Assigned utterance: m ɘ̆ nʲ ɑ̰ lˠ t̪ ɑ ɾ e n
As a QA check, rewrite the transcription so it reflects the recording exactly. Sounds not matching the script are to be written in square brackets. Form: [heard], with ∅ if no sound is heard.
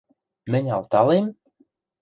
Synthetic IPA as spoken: m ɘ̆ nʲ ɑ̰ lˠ t̪ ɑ [l] e [m]